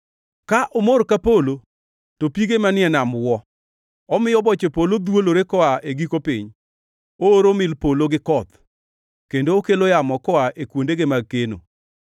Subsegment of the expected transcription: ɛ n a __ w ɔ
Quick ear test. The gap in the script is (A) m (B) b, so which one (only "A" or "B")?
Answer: A